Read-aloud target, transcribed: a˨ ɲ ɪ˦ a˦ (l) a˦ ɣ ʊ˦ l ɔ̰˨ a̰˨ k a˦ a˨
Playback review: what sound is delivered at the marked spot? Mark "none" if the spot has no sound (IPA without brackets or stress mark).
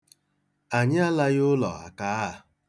l